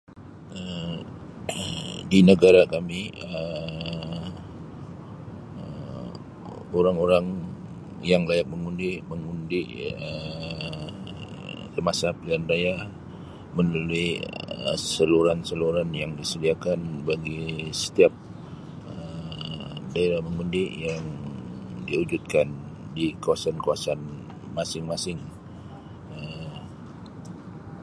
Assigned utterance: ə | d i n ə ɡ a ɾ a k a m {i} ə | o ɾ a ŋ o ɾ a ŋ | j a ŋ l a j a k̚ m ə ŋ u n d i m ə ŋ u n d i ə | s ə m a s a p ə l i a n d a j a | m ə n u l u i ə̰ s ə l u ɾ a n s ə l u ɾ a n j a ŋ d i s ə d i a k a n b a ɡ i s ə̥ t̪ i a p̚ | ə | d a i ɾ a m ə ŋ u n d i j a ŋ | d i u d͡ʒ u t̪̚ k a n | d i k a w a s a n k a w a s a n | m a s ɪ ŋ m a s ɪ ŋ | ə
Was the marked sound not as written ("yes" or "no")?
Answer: no